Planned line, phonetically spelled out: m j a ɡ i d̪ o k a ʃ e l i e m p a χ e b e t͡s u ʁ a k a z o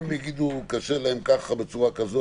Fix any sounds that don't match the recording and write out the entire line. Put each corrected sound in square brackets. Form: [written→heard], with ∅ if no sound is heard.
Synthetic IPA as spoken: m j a ɡ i d̪ [o→u] k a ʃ e l [i→a] e m [p→k] a χ [e→a] b e t͡s u ʁ a k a z o